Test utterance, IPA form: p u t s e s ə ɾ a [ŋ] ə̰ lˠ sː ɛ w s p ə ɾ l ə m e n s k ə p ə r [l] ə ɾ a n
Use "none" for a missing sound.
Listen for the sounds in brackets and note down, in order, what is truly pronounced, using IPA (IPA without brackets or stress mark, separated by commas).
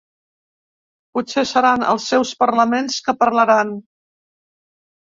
n, l